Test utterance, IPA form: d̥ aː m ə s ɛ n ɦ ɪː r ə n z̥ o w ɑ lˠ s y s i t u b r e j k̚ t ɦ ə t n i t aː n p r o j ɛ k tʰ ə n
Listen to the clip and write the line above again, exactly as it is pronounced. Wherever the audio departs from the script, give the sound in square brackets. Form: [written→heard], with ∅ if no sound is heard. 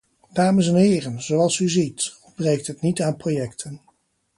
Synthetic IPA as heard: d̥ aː m ə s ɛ n ɦ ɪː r ə n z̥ o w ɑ lˠ s y [s→z] i t [u→ɔ] b r e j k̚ t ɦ ə t n i t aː n p r o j ɛ k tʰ ə n